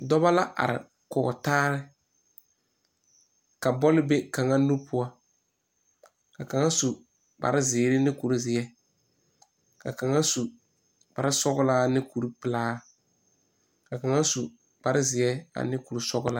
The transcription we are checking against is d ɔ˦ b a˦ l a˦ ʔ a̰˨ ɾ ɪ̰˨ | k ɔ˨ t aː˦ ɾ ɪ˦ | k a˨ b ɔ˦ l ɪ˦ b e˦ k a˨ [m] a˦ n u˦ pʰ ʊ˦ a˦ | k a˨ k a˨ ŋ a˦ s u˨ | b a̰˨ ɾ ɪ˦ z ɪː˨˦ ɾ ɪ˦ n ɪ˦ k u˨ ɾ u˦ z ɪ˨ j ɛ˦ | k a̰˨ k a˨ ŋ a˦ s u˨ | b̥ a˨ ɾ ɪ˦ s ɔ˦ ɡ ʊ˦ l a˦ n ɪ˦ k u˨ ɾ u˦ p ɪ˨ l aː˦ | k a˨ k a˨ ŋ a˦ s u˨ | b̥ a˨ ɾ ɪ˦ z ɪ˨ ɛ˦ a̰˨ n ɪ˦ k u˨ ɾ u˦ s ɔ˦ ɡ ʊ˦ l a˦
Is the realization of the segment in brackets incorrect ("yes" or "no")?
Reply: yes